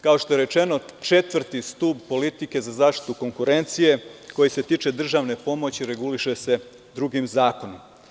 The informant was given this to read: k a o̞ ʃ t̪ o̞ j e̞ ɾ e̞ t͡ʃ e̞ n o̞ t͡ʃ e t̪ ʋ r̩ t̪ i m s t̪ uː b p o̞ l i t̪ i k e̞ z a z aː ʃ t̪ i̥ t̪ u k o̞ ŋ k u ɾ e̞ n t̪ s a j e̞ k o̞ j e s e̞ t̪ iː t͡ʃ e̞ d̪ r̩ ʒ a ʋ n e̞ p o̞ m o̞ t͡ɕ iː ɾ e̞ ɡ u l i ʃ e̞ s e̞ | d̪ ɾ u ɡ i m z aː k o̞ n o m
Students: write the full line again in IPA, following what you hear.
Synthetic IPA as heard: k a o̞ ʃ t̪ o̞ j e̞ ɾ e̞ t͡ʃ e̞ n o̞ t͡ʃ e t̪ ʋ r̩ t̪ i s t̪ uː b p o̞ l i t̪ i k e̞ z a z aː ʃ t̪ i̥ t̪ u k o̞ ŋ k u ɾ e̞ n t̪ s i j e̞ k o̞ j i s e̞ t̪ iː t͡ʃ e̞ d̪ r̩ ʒ a ʋ n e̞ p o̞ m o̞ t͡ɕ i ɾ e̞ ɡ u l i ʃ e̞ s e̞ | d̪ ɾ u ɡ i m z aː k o̞ n o m